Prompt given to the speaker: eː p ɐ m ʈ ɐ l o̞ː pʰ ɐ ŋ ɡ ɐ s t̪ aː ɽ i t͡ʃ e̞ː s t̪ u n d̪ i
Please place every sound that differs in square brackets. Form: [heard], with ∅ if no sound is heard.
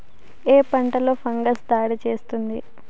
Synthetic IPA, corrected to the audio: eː p ɐ [ɳ] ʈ ɐ l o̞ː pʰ ɐ ŋ ɡ ɐ s [d̪] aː ɽ i t͡ʃ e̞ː s t̪ u n d̪ i